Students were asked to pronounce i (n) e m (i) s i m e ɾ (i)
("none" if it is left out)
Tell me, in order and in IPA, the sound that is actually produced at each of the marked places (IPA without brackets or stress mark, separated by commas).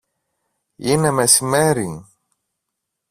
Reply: n, e, i